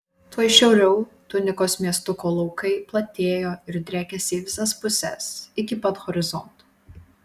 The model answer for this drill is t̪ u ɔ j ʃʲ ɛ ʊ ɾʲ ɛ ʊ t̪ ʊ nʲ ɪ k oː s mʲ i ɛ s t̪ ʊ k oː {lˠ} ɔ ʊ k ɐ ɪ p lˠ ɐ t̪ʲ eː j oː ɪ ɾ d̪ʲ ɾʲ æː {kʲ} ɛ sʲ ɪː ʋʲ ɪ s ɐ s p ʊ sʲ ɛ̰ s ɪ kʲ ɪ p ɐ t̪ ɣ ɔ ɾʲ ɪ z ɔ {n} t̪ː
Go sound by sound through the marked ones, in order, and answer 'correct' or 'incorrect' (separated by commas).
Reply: correct, correct, correct